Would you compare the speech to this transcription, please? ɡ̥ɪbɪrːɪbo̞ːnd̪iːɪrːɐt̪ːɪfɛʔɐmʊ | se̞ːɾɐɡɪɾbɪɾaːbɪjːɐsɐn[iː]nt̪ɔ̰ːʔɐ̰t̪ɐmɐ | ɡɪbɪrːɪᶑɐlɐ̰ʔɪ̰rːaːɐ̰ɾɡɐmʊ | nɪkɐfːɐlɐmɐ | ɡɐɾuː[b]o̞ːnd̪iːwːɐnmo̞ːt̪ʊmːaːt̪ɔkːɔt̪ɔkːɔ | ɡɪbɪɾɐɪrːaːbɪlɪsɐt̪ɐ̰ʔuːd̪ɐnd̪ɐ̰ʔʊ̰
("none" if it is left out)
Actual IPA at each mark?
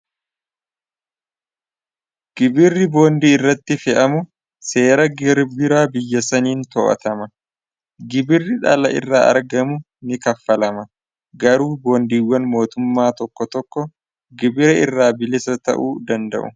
iː, b

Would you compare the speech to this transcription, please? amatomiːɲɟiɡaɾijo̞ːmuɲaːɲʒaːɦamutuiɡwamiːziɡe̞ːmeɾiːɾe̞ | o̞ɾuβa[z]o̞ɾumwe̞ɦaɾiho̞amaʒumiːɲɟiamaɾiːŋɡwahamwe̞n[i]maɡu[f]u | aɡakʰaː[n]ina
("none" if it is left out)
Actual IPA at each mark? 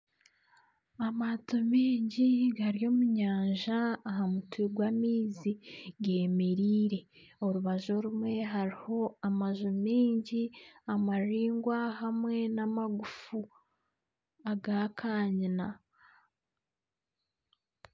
ʒ, a, f, ɲ

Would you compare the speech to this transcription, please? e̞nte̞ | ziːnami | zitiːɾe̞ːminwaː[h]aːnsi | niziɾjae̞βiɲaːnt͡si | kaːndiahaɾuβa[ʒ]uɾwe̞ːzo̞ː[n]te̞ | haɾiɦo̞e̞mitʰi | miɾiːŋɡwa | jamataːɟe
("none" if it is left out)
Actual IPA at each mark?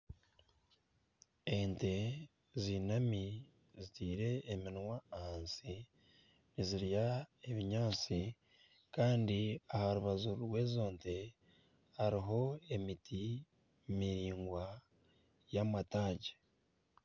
h, z, n

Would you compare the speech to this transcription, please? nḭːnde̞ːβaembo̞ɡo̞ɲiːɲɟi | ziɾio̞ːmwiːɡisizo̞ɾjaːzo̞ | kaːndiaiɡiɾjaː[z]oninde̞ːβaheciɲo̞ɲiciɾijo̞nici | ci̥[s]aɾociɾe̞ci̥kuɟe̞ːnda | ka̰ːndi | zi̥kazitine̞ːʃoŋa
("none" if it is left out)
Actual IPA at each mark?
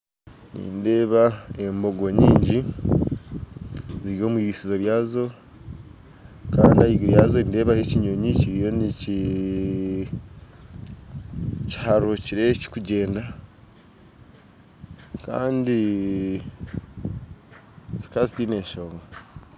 z, h

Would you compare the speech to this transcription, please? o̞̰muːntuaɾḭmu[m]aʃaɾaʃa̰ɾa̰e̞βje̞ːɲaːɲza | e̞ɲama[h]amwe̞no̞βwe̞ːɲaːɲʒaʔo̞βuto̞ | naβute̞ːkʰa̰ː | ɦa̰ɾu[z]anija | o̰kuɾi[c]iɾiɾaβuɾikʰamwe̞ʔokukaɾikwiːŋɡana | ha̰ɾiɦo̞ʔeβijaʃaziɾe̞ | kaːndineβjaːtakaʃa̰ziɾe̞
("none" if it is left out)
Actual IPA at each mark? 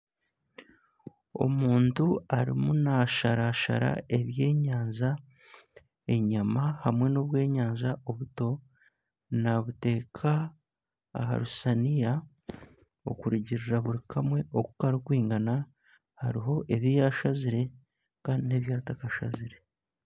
n, h, s, ɟ

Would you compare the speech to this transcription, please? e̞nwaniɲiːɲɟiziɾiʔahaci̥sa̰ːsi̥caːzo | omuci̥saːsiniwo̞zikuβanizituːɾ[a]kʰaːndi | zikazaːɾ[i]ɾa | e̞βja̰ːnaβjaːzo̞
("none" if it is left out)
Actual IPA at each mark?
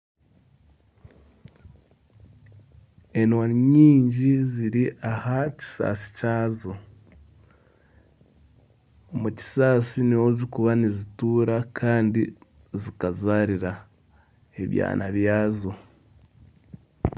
a, i

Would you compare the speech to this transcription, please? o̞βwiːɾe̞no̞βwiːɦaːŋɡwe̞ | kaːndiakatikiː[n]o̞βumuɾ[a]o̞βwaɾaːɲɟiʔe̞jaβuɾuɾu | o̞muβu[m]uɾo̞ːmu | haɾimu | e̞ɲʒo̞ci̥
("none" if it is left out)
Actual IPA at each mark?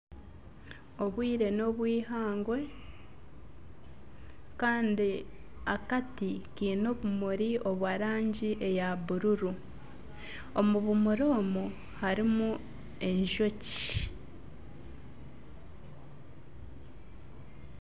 n, i, m

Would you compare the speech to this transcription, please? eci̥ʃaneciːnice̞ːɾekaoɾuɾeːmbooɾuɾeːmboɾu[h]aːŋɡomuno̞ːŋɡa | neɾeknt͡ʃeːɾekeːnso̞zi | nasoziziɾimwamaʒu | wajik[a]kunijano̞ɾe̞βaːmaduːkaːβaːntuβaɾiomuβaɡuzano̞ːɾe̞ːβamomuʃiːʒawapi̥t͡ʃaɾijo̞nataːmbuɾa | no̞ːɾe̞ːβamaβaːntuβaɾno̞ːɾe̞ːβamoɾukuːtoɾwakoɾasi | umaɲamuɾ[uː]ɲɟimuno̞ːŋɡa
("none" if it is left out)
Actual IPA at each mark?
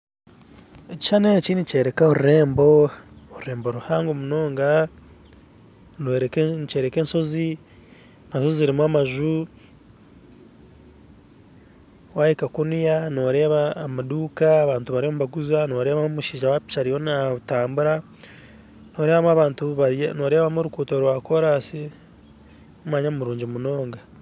h, a, uː

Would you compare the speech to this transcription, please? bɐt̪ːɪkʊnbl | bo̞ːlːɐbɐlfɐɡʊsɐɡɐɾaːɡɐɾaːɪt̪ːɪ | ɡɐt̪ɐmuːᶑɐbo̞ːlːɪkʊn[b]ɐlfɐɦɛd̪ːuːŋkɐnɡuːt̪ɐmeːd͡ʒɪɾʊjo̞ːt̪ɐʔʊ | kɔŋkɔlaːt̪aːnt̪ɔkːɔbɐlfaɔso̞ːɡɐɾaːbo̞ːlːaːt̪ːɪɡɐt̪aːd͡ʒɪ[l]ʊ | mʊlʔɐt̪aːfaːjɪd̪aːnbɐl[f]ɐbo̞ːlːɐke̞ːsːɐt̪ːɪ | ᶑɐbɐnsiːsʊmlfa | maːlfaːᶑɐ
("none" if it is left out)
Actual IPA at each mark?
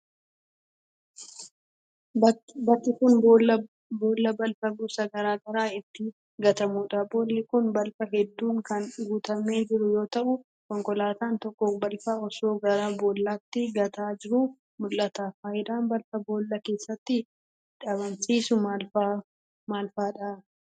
b, ɾ, f

